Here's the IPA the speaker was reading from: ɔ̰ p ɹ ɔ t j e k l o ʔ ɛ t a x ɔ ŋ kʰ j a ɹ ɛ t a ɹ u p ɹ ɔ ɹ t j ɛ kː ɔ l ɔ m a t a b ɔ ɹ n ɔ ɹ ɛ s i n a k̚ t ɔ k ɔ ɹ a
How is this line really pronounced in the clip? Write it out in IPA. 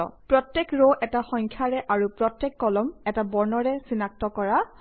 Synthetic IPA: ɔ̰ p ɹ ɔ t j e k ɹ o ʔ ɛ t a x ɔ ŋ kʰ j a ɹ ɛ ʔ a ɹ u p ɹ ɔ t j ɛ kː ɔ l ɔ m ɛ t a b ɔ ɹ n ɔ ɹ ɛ s i n a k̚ t ɔ k ɔ ɹ a